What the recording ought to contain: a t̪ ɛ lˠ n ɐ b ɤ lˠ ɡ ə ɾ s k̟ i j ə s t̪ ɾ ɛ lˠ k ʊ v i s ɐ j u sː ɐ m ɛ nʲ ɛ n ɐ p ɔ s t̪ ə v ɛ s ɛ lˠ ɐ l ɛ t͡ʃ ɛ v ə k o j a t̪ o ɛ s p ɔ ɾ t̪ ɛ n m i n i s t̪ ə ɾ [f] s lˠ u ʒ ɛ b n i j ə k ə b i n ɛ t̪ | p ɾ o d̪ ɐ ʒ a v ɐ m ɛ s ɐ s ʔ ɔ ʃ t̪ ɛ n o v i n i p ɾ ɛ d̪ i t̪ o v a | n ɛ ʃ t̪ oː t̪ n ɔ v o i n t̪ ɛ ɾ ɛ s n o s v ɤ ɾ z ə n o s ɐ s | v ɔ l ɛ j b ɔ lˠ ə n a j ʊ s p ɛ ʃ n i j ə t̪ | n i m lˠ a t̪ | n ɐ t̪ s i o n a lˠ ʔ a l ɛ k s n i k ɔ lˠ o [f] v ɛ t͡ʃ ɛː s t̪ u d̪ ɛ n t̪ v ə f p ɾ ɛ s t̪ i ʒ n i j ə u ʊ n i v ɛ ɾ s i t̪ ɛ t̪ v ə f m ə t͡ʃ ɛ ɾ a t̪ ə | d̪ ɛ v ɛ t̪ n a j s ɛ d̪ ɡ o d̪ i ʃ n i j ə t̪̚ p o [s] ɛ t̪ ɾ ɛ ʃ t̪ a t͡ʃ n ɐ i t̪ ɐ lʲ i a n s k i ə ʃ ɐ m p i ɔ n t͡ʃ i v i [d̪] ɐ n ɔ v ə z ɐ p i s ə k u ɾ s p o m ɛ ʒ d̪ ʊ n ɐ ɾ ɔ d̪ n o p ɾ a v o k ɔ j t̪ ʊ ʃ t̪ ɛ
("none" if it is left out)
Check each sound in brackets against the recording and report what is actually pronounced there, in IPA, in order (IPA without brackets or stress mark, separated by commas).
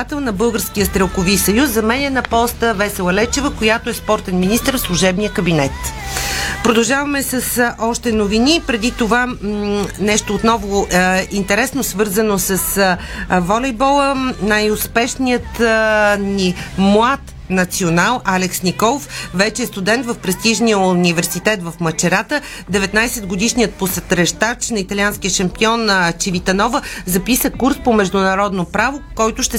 f, f, s, t̪